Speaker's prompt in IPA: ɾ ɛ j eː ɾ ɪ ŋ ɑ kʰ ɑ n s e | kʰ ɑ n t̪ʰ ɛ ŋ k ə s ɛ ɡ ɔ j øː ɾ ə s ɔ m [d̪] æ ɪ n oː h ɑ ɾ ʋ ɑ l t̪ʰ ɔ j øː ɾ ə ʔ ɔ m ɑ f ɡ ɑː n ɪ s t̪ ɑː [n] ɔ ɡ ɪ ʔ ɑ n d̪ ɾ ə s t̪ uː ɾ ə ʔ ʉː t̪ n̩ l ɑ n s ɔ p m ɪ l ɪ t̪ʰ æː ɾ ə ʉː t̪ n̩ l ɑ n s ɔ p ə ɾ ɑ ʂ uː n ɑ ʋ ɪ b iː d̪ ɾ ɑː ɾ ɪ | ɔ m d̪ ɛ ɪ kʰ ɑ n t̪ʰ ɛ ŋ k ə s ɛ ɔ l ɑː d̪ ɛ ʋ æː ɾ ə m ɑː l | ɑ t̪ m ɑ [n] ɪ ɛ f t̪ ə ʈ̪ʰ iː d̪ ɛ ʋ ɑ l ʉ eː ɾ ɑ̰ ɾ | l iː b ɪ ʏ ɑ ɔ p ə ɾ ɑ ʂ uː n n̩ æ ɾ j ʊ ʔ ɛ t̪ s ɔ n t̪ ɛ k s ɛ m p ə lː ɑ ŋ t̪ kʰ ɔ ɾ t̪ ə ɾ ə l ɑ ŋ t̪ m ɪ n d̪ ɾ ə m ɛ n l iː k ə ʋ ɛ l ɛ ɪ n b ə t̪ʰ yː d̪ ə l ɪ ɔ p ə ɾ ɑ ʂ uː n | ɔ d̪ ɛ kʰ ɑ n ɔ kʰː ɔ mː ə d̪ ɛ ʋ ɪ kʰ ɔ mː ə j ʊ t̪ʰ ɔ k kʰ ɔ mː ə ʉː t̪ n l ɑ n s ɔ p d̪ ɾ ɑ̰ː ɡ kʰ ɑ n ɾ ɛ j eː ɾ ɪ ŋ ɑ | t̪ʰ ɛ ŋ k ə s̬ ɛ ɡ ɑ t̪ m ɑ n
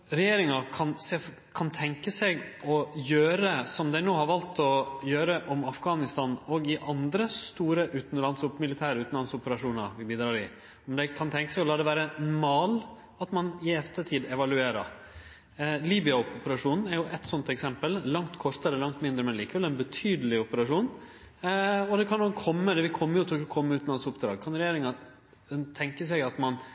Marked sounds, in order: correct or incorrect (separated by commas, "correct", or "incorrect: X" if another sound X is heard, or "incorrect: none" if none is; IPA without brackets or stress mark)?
correct, correct, correct